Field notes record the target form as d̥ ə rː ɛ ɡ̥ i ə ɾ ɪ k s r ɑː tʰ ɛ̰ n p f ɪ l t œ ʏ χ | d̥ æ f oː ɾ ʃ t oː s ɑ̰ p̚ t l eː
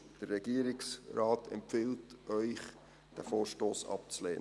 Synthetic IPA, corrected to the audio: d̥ ə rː ɛ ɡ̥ i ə ɾ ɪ k s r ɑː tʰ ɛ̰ m p f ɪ l t œ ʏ χ | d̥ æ f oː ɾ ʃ t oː s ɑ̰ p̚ t͡s l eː